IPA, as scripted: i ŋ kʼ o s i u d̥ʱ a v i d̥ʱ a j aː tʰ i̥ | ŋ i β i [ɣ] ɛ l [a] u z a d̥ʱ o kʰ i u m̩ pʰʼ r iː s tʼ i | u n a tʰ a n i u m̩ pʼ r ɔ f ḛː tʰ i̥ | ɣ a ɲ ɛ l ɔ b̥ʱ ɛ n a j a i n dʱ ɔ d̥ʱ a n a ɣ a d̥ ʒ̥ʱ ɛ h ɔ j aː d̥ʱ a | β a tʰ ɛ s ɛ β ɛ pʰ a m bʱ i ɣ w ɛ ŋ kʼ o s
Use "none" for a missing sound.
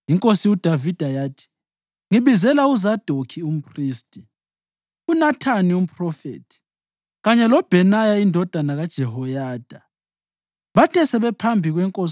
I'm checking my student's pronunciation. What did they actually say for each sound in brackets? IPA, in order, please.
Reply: z, a

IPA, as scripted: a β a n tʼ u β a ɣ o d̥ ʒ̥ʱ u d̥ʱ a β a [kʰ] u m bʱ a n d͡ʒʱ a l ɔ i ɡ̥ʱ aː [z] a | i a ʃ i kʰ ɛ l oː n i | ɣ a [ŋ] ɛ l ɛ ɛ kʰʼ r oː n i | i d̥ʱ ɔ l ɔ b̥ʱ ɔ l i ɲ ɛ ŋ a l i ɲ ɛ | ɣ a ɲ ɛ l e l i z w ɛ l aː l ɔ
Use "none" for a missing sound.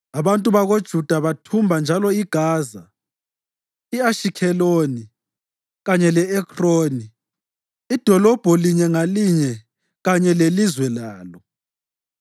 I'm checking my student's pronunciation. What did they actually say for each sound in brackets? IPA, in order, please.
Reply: tʰ, z, ɲ

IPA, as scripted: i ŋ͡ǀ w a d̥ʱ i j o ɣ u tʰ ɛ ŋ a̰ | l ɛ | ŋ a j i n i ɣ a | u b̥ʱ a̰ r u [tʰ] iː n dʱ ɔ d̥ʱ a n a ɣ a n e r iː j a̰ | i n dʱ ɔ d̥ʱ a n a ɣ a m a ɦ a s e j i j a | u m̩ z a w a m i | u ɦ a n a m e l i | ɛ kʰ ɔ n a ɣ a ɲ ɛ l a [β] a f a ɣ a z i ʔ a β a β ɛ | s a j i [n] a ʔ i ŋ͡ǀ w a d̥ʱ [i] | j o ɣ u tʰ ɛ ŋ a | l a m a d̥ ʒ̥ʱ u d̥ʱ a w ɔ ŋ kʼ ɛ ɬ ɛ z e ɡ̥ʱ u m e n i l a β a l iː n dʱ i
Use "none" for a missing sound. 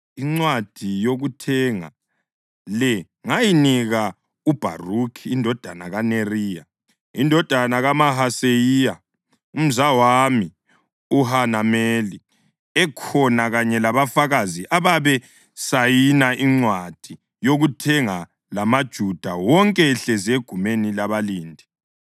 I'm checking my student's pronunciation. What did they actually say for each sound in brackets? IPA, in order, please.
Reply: kʰ, β, n, i

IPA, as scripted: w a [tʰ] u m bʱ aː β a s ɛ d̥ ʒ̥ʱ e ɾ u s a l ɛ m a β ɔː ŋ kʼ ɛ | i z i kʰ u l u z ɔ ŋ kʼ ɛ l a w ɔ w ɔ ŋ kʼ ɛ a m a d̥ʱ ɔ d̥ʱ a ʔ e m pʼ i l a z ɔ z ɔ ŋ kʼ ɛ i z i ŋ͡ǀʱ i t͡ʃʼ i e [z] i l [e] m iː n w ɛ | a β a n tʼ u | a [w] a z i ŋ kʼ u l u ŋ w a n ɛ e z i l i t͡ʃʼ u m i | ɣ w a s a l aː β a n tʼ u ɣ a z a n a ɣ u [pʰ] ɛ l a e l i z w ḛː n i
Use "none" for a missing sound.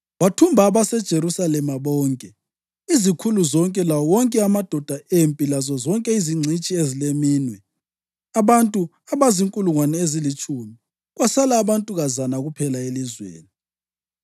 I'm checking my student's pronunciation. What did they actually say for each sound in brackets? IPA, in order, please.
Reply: tʰ, z, e, β, pʰ

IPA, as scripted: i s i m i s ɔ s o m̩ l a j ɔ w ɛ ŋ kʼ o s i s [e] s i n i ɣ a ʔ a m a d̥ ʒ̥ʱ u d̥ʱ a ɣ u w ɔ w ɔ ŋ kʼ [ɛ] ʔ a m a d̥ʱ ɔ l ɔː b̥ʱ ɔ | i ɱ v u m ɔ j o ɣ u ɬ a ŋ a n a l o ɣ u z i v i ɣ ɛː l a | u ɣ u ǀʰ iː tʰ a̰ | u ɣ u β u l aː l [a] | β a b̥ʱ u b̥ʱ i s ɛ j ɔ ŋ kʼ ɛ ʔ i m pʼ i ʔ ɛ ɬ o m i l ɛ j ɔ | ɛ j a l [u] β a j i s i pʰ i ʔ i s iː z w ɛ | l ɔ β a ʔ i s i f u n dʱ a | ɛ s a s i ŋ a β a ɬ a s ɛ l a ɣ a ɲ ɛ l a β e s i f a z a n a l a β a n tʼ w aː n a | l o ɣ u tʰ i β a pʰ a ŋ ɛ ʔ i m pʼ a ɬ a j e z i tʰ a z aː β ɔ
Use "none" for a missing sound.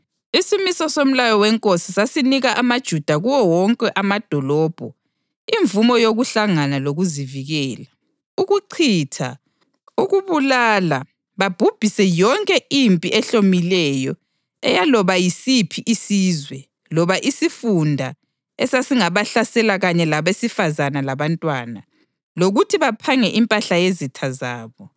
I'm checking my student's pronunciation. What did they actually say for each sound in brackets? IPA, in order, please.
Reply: a, ɛ, a, ɔ

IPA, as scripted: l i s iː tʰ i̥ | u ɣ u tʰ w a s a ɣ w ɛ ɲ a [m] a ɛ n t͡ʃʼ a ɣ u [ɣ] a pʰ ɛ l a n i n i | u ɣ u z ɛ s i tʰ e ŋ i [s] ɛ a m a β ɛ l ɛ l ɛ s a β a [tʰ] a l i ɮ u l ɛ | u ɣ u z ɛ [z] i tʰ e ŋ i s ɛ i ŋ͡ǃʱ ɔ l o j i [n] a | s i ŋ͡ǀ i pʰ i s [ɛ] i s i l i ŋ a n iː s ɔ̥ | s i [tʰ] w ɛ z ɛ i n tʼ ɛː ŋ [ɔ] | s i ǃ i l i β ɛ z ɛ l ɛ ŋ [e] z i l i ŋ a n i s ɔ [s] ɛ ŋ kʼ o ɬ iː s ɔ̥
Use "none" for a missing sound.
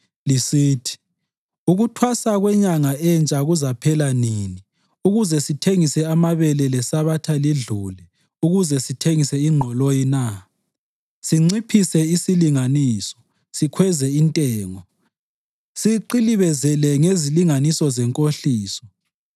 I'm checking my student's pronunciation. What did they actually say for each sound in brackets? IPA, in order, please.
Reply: ŋ, z, s, tʰ, s, n, ɛ, kʰ, ɔ, e, z

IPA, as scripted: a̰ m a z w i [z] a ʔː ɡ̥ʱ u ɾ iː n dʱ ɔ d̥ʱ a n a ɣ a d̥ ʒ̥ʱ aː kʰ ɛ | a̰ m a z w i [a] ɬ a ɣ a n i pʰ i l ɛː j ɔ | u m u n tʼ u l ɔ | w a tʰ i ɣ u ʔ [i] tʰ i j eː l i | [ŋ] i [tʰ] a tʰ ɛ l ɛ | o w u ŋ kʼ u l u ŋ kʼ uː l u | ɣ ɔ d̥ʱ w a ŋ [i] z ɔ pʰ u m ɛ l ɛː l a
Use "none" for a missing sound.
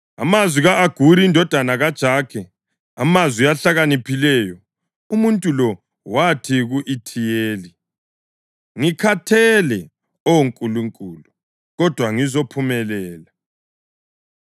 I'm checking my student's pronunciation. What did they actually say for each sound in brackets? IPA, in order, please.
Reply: ɣ, a, i, ŋ, kʰ, i

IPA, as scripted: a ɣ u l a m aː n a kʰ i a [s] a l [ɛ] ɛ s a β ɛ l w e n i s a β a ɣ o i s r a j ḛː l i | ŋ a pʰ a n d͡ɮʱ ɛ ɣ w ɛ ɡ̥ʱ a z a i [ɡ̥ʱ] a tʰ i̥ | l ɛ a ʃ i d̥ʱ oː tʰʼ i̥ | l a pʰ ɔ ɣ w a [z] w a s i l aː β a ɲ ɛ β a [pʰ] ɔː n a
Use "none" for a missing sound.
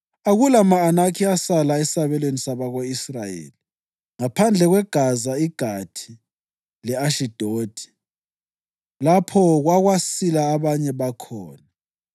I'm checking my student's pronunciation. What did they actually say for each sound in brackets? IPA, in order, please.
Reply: s, a, ɡ̥ʱ, ɣ, kʰ

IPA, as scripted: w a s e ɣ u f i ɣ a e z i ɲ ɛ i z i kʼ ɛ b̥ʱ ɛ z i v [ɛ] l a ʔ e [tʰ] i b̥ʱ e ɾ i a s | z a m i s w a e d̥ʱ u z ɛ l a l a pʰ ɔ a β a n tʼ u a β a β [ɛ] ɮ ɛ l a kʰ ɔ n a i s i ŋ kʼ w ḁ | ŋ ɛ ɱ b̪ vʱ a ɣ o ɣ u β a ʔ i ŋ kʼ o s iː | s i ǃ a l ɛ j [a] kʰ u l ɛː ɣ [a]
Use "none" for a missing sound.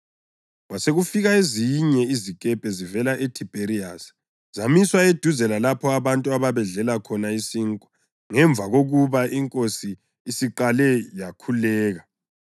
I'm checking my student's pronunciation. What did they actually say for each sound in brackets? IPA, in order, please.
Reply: ɛ, tʰ, ɛ, a, a

